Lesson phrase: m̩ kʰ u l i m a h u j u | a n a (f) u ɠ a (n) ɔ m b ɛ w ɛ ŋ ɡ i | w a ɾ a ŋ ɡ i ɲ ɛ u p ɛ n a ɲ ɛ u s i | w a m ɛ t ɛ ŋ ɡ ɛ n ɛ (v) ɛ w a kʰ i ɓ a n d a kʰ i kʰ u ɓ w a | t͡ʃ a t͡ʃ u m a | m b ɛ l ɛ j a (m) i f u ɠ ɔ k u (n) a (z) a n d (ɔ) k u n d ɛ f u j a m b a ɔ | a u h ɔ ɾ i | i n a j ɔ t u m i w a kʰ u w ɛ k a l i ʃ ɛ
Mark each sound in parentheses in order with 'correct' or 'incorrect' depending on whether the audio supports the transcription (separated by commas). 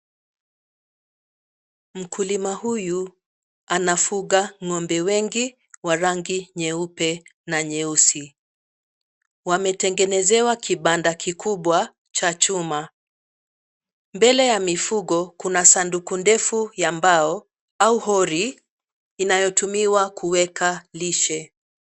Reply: correct, incorrect, incorrect, correct, correct, incorrect, incorrect